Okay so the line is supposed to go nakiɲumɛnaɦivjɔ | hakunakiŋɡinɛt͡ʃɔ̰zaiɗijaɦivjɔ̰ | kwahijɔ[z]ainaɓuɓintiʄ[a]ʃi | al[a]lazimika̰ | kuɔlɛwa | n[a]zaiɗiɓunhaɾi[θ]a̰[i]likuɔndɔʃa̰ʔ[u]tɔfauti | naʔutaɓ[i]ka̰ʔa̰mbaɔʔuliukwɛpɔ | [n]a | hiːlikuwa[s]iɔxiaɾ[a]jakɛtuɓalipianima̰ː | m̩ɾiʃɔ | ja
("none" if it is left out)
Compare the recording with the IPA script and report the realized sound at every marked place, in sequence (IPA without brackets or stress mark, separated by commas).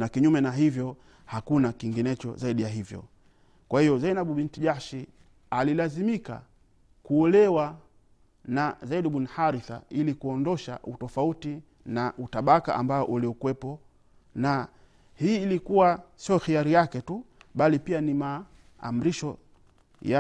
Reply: z, a, i, a, θ, i, u, a, n, s, i